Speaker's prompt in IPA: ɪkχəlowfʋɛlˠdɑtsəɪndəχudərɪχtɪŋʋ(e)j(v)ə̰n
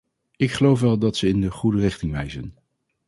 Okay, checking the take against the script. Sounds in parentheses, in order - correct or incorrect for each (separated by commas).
incorrect, incorrect